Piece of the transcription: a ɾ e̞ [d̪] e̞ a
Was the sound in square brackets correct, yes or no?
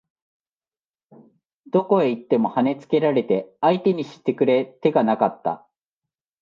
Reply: no